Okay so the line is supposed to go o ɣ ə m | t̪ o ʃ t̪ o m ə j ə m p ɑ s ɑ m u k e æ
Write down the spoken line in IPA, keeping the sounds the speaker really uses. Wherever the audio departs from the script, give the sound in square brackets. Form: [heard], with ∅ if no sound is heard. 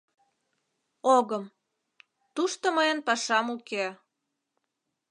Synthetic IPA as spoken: o ɣ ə m | t̪ [u] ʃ t̪ o m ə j ə [n] p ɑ [ʃ] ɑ m u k e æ